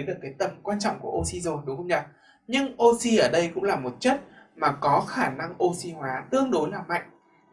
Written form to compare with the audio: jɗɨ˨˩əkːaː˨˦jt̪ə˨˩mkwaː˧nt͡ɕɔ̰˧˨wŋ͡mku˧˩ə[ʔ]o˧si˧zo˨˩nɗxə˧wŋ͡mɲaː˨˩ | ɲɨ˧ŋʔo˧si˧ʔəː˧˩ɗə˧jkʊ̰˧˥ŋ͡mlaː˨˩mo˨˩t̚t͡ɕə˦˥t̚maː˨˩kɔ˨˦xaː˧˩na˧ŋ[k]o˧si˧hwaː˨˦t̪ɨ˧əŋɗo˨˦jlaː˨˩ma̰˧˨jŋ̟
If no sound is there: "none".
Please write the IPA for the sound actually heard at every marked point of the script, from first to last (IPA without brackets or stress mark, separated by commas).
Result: ʔ, ʔ